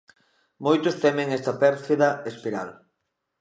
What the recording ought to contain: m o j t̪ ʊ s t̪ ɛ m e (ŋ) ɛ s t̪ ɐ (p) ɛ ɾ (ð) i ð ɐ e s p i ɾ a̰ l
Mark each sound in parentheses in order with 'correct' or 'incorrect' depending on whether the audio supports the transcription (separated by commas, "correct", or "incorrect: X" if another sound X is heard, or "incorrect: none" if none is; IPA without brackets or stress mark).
correct, correct, incorrect: θ